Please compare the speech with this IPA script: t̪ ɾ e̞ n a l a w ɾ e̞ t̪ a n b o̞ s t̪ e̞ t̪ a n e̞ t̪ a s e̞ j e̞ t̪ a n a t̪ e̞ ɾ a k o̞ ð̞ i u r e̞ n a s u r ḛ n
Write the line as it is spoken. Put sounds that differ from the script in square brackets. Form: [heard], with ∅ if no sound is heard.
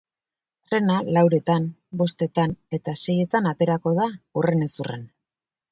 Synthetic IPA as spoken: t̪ ɾ e̞ n a l a w ɾ e̞ t̪ a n b o̞ s t̪ e̞ t̪ a n e̞ t̪ a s e̞ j e̞ t̪ a n a t̪ e̞ ɾ a k o̞ ð̞ [a] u r e̞ n [e] s u r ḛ n